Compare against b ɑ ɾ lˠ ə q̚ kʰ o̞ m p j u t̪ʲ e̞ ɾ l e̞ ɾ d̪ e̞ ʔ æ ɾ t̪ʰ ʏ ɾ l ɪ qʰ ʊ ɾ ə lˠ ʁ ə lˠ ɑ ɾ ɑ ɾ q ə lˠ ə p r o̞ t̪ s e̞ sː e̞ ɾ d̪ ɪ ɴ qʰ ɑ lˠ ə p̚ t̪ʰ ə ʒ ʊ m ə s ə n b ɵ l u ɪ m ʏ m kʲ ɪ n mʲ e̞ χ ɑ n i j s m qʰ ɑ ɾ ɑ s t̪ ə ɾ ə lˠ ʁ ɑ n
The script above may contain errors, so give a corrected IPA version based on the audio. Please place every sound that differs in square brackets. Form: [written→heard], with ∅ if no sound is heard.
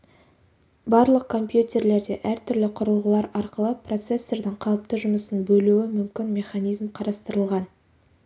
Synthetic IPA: b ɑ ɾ lˠ ə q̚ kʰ o̞ m p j u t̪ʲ e̞ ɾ l e̞ ɾ d̪ e̞ ʔ æ ɾ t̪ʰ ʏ ɾ l ɪ qʰ ʊ ɾ ə lˠ ʁ ə lˠ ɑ ɾ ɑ ɾ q ə lˠ ə p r o̞ t̪ s e̞ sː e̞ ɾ d̪ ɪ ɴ qʰ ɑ lˠ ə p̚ [t̪ʰ→t̪] ə ʒ ʊ m ə s ə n b ɵ l u ɪ m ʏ m kʲ ɪ n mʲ e̞ χ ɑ n i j [s→z] m qʰ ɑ ɾ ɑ s t̪ ə ɾ ə lˠ ʁ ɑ n